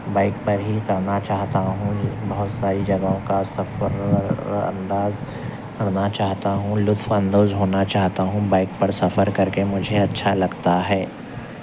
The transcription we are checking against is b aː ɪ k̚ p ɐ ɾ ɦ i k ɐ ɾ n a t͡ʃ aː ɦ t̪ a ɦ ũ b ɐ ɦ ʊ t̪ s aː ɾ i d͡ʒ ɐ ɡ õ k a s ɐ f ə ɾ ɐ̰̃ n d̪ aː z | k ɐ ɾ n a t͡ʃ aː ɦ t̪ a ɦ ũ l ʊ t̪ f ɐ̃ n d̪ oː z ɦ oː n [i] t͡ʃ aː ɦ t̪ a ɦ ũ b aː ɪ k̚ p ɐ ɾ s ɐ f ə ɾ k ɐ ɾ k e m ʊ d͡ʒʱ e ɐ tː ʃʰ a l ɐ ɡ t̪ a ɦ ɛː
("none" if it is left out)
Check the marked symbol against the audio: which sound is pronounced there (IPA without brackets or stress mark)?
a